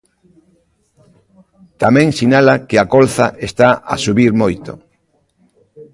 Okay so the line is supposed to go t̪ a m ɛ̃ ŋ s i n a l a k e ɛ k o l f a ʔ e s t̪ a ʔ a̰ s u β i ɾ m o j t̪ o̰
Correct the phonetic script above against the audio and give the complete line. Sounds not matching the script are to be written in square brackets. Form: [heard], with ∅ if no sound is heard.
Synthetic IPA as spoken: t̪ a m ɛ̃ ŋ s i n a l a k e [a] k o l [θ] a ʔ e s t̪ a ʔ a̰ s u β i ɾ m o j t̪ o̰